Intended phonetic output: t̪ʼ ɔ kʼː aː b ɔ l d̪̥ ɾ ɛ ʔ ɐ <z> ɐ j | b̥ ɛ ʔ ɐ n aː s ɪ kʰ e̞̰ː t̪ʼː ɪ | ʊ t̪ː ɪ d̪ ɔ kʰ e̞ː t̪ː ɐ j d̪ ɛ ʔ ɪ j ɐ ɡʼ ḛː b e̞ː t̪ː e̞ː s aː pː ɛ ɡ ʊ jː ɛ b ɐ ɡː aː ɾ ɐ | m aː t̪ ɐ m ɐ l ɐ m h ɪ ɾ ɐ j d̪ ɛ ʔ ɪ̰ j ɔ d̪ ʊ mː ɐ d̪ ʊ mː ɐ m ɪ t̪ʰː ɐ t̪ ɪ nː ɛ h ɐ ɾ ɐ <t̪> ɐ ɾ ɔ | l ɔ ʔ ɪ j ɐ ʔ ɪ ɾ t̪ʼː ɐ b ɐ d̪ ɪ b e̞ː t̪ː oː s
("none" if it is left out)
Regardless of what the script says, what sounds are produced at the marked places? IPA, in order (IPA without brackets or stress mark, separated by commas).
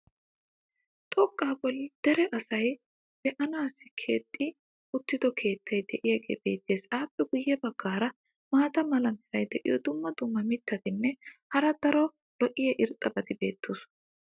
s, d̪